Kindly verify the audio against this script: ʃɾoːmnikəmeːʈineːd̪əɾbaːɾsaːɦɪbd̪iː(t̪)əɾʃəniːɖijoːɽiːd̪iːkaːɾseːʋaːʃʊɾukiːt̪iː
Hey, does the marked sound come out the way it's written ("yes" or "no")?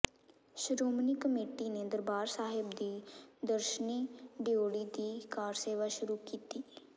no